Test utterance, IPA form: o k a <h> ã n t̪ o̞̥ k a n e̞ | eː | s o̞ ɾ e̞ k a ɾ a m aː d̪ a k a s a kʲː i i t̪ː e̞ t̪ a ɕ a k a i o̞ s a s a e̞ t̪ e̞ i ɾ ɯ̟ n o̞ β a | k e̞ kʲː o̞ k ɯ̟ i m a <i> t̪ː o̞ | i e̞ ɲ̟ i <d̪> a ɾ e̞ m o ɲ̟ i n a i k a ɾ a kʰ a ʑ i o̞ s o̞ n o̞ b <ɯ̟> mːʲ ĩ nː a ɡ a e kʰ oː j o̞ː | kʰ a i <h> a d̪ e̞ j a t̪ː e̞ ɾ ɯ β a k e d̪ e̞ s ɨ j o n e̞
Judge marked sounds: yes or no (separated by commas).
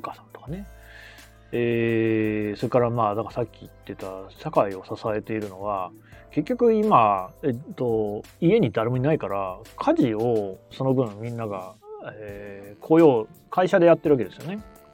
no, no, yes, no, no